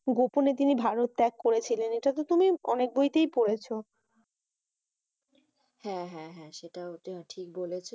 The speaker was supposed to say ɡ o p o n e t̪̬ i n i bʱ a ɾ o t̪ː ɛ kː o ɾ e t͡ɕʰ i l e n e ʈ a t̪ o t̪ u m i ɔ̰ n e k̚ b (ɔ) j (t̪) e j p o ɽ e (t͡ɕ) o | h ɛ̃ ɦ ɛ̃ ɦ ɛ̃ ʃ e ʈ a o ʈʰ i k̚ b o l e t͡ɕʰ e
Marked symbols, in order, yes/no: no, yes, no

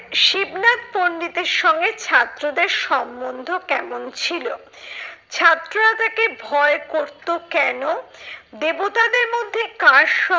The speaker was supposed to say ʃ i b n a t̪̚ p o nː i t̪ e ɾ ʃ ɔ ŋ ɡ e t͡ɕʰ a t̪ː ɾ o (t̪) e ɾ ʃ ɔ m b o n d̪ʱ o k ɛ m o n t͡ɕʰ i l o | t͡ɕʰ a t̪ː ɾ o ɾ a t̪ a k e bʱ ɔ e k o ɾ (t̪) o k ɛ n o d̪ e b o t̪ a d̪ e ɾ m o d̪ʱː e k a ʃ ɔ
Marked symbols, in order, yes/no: no, yes

